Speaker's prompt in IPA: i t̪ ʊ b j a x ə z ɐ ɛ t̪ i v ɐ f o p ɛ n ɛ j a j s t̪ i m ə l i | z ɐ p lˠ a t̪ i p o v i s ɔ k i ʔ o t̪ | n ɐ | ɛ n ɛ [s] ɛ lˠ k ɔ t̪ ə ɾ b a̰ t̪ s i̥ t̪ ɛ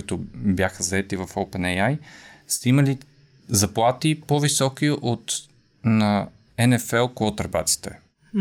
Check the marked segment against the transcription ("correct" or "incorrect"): incorrect